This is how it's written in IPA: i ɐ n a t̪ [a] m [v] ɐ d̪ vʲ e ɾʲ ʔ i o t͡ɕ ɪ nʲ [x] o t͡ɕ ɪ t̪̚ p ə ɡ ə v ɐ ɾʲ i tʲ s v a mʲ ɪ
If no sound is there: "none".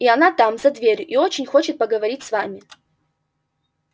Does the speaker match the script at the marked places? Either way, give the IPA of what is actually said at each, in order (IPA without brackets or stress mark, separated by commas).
a, z, x